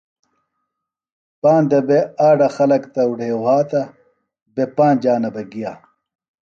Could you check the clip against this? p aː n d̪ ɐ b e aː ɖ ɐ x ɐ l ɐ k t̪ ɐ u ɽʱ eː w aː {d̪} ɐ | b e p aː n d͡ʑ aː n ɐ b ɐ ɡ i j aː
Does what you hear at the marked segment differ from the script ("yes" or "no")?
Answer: yes